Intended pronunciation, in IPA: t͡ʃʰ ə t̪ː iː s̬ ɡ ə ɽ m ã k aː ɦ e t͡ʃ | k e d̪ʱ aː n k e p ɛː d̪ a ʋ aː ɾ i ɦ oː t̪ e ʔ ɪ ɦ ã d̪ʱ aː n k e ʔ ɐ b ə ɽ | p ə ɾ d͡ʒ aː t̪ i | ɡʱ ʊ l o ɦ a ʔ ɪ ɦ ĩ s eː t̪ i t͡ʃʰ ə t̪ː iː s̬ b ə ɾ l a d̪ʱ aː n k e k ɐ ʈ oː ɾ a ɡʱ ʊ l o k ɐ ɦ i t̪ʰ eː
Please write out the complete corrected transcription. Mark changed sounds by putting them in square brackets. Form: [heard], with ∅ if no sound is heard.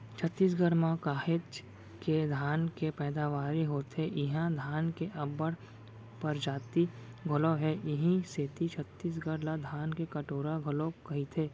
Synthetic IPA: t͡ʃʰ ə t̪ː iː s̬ ɡ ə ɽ m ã k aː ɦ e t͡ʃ | k e d̪ʱ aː n k e p ɛː d̪ a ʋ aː ɾ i ɦ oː t̪ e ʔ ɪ ɦ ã d̪ʱ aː n k e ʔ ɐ b ə ɽ | p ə ɾ d͡ʒ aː t̪ i | ɡʱ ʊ l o ɦ [ɛ] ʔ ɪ ɦ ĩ s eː t̪ i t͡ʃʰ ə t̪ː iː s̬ [ɡ] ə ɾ l a d̪ʱ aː n k e k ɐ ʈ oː ɾ a ɡʱ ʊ l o k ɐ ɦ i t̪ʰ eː